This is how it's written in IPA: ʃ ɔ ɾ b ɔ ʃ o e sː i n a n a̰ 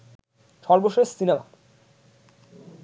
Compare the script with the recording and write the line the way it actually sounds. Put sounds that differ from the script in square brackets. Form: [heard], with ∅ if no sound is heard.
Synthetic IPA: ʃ ɔ ɾ b [o] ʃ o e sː i n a [m] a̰